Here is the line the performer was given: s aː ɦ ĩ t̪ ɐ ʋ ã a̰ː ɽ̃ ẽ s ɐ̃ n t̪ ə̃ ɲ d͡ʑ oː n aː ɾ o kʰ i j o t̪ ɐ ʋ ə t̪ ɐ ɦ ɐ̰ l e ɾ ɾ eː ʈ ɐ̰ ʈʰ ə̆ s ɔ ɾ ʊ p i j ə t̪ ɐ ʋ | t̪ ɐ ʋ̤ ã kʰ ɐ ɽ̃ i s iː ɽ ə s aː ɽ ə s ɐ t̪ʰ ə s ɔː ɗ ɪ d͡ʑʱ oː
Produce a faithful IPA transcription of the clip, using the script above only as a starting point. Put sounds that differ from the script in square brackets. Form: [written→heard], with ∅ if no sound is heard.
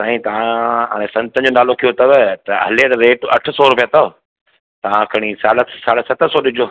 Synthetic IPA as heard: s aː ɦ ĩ t̪ ɐ ʋ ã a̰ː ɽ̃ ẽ s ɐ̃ n t̪ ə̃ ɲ d͡ʑ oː n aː [ɾ→l] o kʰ i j o t̪ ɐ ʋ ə t̪ ɐ ɦ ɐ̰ l e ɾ ɾ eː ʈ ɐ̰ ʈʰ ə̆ s ɔ ɾ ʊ p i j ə t̪ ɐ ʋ | t̪ ɐ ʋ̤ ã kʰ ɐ ɽ̃ i s [iː→aː] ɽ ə s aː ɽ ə s ɐ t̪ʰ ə s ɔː ɗ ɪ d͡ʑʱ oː